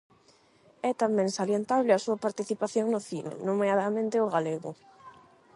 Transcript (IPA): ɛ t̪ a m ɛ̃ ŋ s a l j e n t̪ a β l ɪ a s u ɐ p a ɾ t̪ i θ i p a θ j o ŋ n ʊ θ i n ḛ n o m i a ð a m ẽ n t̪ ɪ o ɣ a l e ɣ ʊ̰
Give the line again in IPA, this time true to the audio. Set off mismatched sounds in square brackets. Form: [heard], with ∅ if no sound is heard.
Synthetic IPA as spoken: ɛ t̪ a m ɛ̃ ŋ s a l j e n t̪ a β l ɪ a s u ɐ p a ɾ t̪ i θ i p a θ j o ŋ n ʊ θ i n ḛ n o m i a ð a m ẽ n t̪ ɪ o ɣ a l e ɣ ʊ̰